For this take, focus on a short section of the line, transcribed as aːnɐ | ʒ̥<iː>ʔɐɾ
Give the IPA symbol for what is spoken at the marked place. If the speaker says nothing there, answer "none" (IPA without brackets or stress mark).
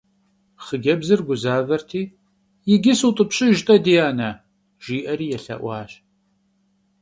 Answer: iː